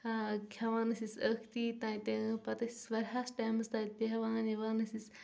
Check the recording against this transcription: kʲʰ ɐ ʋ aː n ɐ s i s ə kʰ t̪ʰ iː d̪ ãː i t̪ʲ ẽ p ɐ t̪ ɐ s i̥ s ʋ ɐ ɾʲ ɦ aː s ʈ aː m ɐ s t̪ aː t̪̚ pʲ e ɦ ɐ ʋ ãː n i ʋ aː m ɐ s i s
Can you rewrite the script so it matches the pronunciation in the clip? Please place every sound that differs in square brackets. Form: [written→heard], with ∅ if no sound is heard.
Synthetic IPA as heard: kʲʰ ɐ ʋ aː n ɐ s i s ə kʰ [t̪ʰ→t̪] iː [d̪→t̪] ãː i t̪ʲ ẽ p ɐ t̪ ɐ s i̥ s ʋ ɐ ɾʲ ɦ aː s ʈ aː m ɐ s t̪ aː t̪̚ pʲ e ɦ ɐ ʋ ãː n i ʋ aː [m→n] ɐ s i s